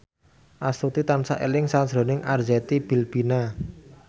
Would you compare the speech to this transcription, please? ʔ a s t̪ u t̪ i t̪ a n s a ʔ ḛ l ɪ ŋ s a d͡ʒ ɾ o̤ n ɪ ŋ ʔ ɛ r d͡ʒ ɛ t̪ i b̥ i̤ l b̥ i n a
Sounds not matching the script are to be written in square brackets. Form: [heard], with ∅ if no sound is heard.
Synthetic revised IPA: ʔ a s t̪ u t̪ i t̪ a n s a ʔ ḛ l ɪ ŋ s a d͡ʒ ɾ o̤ n ɪ ŋ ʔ [a] r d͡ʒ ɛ t̪ i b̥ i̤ l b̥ i n a